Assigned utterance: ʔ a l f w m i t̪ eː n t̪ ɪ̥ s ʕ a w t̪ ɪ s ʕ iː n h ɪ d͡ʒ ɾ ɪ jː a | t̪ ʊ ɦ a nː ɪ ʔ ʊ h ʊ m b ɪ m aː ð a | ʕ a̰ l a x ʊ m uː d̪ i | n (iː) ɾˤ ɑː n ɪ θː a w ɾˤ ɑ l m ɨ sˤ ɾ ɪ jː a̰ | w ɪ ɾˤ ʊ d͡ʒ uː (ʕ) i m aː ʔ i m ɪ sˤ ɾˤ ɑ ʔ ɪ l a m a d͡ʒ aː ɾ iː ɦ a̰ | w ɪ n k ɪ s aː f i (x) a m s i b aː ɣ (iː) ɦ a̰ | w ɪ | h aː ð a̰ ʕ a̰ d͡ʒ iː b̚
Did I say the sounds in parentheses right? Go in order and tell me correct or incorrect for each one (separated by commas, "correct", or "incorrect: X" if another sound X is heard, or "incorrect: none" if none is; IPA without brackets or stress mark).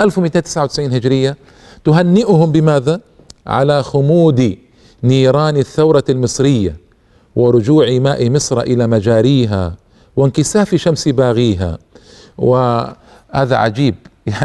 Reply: correct, correct, incorrect: ʃ, correct